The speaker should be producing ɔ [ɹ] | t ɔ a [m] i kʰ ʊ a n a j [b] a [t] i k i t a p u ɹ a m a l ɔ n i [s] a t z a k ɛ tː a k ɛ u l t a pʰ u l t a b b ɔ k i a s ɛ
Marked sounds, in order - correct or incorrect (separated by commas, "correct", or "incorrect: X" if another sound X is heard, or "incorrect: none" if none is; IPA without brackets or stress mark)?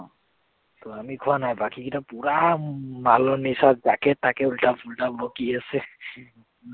incorrect: none, correct, correct, incorrect: k, correct